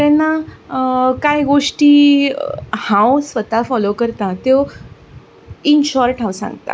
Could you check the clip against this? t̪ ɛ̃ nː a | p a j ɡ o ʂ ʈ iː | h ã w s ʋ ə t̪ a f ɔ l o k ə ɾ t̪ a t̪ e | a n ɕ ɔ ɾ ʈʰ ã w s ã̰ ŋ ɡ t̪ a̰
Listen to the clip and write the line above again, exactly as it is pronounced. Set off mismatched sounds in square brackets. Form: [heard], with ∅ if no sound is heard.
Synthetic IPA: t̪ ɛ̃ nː a | [k] a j ɡ o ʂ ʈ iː | h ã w s ʋ ə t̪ a f ɔ l o k ə ɾ t̪ a t̪ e | [i] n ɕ ɔ ɾ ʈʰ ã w s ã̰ ŋ ɡ t̪ a̰